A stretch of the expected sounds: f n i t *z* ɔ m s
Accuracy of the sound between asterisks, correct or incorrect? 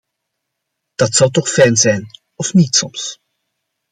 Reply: incorrect: s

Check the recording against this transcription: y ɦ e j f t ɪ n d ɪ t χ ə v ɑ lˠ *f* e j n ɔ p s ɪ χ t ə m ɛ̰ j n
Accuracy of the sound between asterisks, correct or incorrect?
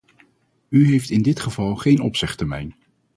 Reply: incorrect: χ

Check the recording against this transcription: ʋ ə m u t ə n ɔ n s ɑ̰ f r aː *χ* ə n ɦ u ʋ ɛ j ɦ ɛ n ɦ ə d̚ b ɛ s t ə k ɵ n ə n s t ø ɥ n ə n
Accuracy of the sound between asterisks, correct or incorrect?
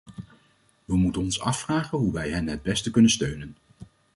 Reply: correct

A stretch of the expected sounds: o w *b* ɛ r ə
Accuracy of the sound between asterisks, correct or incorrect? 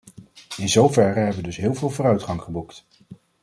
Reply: incorrect: v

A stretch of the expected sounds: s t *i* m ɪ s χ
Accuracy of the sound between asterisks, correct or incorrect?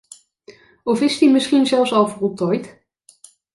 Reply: correct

